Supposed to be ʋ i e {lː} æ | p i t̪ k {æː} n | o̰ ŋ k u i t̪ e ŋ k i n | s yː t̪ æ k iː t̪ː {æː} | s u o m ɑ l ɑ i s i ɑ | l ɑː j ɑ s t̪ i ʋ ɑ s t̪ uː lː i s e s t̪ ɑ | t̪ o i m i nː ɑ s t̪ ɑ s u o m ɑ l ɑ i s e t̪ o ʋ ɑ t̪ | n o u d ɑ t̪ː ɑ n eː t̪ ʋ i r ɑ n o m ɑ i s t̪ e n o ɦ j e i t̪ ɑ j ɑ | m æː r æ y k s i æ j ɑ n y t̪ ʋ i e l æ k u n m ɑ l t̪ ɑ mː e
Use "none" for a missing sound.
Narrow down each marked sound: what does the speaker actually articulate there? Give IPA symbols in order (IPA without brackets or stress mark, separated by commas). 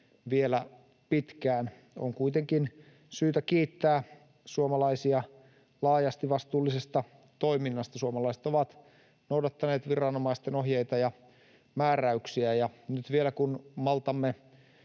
l, æː, æː